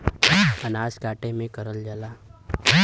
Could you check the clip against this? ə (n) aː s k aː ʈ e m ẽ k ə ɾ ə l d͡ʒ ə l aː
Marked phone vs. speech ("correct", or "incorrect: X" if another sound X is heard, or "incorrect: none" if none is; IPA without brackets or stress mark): correct